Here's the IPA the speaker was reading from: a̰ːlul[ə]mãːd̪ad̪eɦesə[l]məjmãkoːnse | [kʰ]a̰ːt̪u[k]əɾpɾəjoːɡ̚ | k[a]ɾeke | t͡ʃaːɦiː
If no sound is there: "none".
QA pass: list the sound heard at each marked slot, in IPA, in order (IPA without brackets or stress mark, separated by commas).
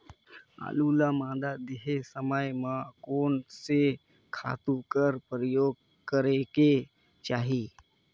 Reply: a, none, kʰ, k, ə